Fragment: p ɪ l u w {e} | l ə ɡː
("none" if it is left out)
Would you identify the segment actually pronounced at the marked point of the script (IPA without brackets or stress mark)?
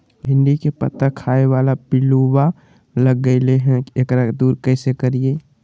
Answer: a